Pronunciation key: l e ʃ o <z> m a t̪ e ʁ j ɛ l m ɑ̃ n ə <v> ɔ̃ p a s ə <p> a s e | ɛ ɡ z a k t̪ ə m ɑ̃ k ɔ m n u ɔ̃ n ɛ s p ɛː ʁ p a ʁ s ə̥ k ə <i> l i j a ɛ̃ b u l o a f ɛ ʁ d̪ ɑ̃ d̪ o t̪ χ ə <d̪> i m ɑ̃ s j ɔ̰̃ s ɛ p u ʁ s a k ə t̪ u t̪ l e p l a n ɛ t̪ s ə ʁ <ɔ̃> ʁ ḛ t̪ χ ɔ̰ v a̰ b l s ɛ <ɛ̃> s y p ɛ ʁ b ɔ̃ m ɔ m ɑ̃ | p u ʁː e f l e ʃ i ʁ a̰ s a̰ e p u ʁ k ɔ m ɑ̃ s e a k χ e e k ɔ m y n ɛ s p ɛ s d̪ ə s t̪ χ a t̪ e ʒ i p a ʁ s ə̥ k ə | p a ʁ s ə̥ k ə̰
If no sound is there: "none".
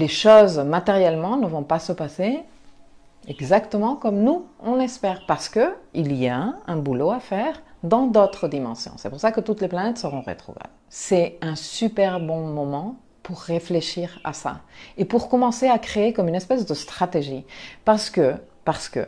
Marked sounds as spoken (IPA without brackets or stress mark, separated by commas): z, v, p, i, d̪, ɔ̃, ɛ̃